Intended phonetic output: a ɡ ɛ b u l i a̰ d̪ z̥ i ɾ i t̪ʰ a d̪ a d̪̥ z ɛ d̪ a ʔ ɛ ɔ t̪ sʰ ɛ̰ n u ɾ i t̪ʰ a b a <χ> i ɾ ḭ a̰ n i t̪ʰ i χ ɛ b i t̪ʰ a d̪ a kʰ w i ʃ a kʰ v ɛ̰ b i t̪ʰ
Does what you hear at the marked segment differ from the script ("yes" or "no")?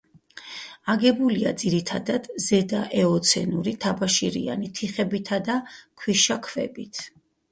yes